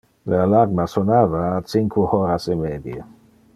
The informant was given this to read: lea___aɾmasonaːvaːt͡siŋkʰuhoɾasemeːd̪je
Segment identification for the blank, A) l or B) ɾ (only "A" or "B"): A